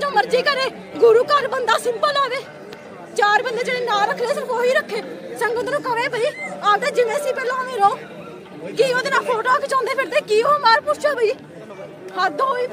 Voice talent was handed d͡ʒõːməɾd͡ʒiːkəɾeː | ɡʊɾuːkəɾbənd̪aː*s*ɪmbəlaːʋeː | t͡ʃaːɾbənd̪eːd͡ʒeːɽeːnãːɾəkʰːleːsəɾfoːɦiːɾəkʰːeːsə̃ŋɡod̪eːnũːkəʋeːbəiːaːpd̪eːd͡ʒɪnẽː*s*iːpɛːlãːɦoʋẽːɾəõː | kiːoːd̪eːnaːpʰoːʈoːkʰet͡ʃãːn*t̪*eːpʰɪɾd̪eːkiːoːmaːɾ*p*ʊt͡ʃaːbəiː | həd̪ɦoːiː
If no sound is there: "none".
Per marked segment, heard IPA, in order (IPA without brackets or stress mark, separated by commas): s, s, d̪, p